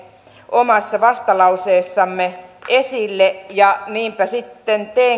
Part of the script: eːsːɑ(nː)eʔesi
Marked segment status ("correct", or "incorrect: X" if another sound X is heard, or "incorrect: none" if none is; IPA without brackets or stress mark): incorrect: mː